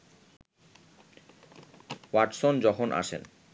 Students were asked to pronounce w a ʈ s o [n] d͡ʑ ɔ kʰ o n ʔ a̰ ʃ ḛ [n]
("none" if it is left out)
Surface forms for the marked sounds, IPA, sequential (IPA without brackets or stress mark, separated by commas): n, n